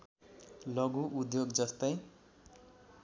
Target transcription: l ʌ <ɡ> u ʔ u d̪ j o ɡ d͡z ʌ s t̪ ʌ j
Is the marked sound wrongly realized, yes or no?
no